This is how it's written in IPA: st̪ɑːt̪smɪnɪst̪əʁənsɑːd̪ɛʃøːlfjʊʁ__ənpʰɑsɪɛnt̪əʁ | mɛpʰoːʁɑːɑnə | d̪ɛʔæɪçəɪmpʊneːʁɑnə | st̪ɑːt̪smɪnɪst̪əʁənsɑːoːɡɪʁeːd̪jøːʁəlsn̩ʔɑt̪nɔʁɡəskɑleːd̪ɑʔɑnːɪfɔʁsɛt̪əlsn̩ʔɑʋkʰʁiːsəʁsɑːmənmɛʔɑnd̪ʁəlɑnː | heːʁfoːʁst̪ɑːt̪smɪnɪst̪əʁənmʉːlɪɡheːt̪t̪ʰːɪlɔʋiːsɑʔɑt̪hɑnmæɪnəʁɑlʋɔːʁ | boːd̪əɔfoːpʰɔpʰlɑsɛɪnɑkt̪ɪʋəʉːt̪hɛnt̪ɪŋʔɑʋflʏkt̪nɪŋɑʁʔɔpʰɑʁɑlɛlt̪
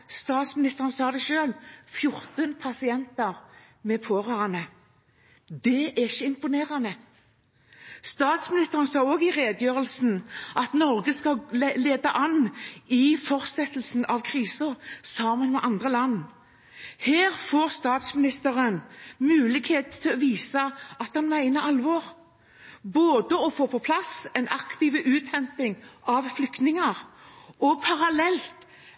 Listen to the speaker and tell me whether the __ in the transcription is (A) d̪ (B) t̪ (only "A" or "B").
B